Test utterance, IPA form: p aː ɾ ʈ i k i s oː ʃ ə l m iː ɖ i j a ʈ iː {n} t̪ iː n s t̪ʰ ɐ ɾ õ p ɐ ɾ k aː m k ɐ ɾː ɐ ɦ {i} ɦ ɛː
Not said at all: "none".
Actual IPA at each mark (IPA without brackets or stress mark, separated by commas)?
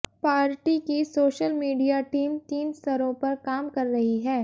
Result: m, i